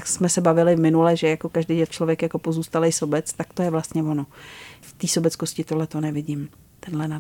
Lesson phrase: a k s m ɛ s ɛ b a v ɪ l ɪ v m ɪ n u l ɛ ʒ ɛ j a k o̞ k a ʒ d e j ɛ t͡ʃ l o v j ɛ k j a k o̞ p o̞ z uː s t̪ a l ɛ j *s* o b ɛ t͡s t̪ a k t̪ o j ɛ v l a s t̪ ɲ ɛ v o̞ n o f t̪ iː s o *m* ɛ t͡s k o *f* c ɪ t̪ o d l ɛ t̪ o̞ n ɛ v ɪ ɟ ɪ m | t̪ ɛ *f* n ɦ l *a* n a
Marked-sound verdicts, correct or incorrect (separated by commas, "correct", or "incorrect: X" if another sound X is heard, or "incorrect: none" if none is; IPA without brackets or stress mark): correct, incorrect: b, incorrect: s, incorrect: none, incorrect: ɛ